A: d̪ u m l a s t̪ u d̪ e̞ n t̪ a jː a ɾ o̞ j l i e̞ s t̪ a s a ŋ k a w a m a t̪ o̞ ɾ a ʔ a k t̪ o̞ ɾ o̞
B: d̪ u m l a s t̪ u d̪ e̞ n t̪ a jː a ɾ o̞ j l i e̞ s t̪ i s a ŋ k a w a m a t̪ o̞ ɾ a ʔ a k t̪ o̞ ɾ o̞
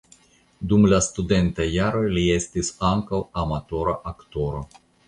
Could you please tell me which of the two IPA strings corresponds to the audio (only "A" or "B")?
B